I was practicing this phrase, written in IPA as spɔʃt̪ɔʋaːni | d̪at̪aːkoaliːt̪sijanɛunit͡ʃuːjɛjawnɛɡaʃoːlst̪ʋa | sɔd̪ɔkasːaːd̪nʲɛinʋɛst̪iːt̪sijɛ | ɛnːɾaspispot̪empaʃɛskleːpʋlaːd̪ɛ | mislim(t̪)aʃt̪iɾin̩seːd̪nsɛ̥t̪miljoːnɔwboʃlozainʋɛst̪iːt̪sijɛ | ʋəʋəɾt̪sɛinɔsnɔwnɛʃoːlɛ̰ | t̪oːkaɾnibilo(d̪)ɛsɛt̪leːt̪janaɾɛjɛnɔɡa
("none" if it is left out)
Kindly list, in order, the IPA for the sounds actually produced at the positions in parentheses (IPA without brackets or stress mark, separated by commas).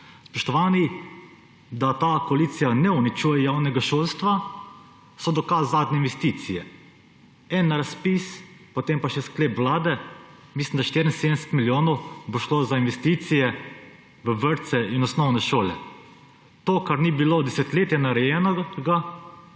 d̪, d̪